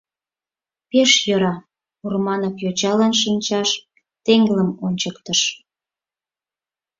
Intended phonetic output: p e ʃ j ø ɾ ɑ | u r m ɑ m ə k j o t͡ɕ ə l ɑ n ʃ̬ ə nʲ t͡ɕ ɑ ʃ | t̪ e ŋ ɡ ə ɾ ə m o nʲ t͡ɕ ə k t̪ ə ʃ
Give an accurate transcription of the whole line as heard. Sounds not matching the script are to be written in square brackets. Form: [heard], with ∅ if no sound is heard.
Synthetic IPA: p e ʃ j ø ɾ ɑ | u r m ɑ [n] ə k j o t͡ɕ [ɑ] l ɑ n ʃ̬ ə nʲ t͡ɕ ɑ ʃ | t̪ e ŋ ɡ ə [l] ə m o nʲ t͡ɕ ə k t̪ ə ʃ